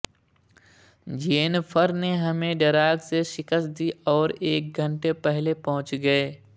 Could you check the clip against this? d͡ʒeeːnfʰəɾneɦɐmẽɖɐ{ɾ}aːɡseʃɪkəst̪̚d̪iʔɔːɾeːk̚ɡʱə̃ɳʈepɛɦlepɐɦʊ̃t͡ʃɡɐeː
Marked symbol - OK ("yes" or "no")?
yes